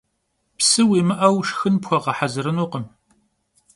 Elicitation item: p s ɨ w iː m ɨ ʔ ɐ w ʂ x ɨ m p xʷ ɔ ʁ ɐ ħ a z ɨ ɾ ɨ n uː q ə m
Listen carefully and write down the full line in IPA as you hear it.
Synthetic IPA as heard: p s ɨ w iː m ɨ ʔ ɐ w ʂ x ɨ n p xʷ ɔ ʁ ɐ ħ a z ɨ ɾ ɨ n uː q ə m